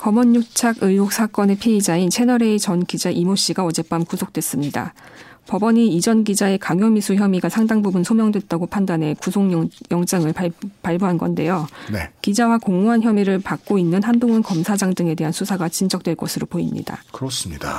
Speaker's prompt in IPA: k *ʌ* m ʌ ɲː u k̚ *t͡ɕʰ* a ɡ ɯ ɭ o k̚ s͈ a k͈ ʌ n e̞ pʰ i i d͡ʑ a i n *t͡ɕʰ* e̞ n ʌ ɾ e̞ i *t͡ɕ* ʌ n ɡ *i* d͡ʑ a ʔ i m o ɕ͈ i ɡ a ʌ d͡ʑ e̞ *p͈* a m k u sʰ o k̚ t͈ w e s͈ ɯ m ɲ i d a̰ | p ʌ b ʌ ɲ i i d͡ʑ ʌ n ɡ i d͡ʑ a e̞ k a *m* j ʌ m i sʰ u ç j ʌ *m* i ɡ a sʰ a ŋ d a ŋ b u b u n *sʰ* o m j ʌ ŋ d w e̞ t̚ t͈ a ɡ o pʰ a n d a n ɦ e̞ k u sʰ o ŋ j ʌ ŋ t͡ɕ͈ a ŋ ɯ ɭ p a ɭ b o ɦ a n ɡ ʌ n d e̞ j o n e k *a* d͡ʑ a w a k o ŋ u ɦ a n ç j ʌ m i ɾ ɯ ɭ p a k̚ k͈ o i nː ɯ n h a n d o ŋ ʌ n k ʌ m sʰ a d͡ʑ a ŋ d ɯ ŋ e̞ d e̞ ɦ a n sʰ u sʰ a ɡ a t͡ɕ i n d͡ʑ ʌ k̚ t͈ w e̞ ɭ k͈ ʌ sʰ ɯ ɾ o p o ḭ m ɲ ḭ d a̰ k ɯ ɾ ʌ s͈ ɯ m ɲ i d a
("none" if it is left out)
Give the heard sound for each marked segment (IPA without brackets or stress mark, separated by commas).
ʌ, t͡ɕʰ, t͡ɕʰ, t͡ɕ, i, p͈, ŋ, m, sʰ, i